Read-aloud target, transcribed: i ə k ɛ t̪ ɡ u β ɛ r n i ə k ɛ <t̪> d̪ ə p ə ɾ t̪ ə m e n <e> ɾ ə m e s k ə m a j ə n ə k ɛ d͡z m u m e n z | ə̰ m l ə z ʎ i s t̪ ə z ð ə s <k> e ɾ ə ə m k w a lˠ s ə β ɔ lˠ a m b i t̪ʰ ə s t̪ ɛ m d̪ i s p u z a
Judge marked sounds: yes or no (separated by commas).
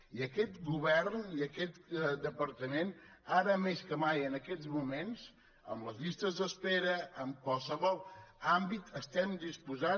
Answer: yes, no, no